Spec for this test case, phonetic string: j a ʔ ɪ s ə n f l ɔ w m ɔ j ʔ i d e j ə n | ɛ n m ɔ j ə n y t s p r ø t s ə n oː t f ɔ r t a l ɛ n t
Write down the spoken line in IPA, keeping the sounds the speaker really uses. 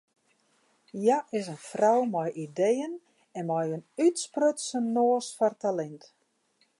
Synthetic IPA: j a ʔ ɪ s ə n f r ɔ w m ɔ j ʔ i d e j ə n | ɛ n m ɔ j ə n y t s p r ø t s ə n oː s f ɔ r t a l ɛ n t